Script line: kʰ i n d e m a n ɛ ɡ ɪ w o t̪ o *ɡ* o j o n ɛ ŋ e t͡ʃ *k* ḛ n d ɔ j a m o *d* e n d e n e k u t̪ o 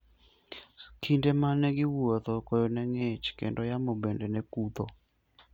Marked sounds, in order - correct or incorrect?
incorrect: k, correct, incorrect: b

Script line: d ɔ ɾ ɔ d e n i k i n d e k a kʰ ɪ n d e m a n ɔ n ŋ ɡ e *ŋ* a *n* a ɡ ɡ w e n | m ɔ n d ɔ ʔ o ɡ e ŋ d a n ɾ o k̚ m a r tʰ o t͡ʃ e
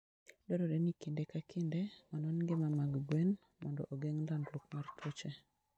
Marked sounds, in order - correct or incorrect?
incorrect: m, incorrect: m

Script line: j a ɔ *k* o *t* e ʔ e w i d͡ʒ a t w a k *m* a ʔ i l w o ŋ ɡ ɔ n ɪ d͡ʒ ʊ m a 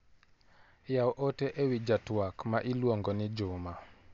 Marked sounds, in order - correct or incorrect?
incorrect: ʔ, correct, correct

